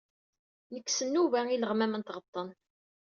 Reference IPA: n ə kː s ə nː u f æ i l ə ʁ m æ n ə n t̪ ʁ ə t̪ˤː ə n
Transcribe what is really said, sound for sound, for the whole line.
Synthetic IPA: n ə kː s ə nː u v æ i l ə ʁ m æ m ə n t̪ ʁ ə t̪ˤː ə n